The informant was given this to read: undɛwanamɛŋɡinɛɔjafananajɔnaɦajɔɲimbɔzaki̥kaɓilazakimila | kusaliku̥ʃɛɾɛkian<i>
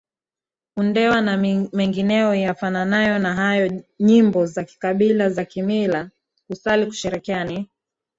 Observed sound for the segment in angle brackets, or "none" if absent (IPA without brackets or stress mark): i